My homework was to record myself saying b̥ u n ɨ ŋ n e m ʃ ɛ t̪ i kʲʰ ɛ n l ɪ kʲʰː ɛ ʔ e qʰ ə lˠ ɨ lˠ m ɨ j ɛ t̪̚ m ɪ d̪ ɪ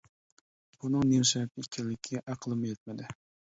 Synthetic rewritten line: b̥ u n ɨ ŋ n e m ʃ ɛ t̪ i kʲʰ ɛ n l ɪ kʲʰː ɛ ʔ æ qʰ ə lˠ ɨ m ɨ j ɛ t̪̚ m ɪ d̪ ɪ